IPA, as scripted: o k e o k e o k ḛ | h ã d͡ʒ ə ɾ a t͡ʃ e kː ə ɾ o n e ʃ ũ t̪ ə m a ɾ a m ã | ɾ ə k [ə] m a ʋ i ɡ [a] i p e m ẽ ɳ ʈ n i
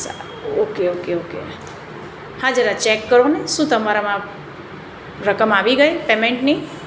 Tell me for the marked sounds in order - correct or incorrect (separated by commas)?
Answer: correct, incorrect